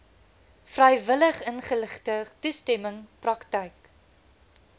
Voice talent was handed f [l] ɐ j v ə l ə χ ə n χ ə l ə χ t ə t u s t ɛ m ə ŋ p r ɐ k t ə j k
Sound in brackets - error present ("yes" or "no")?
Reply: yes